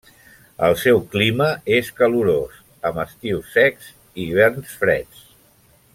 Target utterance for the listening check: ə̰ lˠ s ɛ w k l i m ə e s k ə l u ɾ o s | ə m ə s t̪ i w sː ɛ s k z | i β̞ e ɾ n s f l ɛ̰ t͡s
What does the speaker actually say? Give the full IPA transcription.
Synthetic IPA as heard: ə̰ lˠ s ɛ w k l i m ə e s k ə l u ɾ o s | ə m ə s t̪ i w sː ɛ k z | i β̞ ɛ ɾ n s f ɾ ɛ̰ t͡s